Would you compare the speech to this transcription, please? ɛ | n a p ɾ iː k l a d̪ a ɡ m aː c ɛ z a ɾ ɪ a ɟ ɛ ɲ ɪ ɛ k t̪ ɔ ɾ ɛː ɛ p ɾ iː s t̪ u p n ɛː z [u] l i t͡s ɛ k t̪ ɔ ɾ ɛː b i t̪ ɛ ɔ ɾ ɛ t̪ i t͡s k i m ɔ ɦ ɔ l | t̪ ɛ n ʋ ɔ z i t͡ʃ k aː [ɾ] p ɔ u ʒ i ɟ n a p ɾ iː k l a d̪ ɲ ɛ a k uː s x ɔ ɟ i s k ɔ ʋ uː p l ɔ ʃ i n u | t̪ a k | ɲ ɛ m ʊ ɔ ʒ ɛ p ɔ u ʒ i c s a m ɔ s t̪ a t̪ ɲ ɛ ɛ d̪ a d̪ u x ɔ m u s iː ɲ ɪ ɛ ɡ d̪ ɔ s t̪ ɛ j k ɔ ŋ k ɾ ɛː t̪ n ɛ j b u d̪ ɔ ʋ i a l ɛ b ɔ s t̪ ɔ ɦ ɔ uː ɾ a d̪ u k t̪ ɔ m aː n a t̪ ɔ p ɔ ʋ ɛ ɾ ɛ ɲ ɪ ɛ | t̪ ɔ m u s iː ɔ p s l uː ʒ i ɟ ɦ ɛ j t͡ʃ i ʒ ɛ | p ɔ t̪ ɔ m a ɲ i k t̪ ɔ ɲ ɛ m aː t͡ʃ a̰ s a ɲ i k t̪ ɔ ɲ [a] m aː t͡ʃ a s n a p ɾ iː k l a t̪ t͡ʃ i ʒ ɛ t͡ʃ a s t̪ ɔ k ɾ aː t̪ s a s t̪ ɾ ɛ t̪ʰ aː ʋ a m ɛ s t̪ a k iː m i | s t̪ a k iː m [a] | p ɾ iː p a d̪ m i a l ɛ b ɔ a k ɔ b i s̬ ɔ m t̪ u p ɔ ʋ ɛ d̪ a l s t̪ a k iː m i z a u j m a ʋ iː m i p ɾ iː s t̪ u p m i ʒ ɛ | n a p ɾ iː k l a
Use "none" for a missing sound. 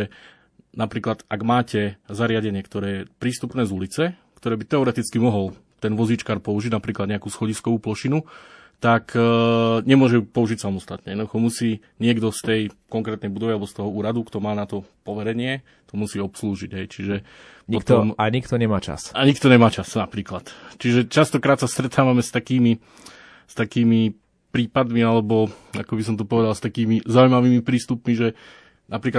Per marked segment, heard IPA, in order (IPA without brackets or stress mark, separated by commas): u, ɾ, ɛ, i